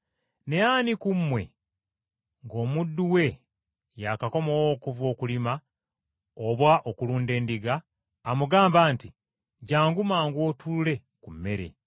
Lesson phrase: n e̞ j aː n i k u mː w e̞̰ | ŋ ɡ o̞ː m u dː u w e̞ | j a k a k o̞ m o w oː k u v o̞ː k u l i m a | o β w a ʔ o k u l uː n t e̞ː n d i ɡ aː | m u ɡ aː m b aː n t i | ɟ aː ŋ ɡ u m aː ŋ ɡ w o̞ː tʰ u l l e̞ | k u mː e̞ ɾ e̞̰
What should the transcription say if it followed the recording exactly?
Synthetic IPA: n e̞ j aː n i k u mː w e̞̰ | ŋ ɡ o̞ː m u dː u w e̞ | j a k a k o̞ m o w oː k u v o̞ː k u l i m a | o β w a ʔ o k u l uː n d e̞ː n d i ɡ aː | m u ɡ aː m b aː n t i | ɟ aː ŋ ɡ u m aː ŋ ɡ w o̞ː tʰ u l l e̞ | k u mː e̞ ɾ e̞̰